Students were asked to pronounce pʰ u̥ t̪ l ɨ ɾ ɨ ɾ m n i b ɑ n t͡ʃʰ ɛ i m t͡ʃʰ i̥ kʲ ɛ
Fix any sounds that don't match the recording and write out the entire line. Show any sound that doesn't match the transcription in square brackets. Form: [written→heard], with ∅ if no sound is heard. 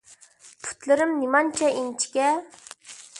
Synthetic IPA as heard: pʰ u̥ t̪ l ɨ ɾ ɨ [ɾ→∅] m n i [b→m] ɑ n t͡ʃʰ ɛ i [m→n] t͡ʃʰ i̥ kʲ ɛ